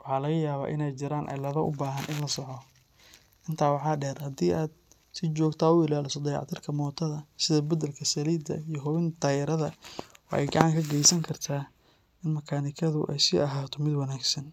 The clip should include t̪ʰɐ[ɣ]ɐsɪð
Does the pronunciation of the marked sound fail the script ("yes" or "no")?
yes